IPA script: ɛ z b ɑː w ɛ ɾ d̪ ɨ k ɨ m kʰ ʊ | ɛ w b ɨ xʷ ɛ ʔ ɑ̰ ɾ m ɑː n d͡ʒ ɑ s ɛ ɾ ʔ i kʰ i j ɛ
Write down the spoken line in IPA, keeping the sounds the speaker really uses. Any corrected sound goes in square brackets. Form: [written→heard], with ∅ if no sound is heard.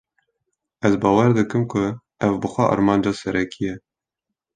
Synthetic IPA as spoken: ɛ z b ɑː w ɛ ɾ d̪ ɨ k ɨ m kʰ ʊ | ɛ [w→v] b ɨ xʷ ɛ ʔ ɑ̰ ɾ m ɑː n d͡ʒ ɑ s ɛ ɾ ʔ [i→ɛ] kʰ i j ɛ